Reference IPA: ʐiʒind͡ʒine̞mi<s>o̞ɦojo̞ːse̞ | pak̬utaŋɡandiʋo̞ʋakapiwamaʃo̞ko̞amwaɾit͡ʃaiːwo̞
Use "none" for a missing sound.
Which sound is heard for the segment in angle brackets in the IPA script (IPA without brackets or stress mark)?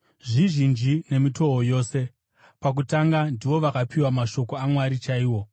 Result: t